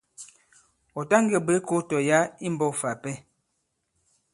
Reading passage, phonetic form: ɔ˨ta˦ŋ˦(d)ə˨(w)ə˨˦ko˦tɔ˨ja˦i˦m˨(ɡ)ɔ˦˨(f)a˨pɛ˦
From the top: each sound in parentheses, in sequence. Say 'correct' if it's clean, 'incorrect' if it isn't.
incorrect, incorrect, incorrect, correct

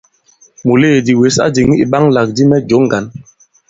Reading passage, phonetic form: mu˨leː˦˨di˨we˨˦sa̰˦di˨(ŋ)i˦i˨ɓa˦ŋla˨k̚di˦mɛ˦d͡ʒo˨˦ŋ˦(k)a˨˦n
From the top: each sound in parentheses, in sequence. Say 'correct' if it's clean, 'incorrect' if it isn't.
correct, incorrect

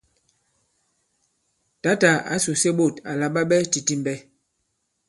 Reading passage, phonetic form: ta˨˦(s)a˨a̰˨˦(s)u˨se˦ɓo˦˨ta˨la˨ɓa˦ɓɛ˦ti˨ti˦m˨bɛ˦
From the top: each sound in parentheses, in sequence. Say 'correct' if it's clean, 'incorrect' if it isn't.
incorrect, correct

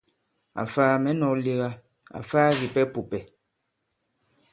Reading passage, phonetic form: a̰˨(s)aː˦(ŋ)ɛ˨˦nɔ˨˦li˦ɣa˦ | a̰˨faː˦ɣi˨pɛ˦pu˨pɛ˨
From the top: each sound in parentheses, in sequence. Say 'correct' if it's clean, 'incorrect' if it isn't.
incorrect, incorrect

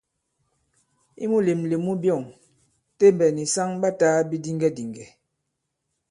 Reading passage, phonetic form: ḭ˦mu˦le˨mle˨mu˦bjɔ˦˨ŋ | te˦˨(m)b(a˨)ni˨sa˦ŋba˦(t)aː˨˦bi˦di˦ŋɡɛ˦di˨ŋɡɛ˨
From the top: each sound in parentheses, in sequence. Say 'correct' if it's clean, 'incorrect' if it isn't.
correct, incorrect, correct

